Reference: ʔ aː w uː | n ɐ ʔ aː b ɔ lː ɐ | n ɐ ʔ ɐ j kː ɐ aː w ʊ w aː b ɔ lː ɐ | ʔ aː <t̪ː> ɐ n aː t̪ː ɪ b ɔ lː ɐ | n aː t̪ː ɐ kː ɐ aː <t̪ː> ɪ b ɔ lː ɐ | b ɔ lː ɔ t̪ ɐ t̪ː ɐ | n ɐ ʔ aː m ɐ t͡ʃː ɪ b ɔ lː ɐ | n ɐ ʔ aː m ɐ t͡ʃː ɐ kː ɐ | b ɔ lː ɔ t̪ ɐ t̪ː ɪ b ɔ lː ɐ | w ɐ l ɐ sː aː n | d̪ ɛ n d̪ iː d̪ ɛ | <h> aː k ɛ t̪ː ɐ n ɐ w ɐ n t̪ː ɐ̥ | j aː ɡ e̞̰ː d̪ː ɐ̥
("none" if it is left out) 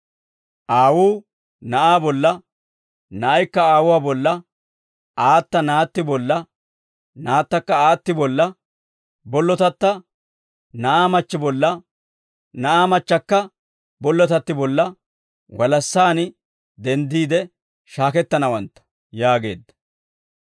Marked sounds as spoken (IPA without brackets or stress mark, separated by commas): t̪ː, t̪ː, ʃ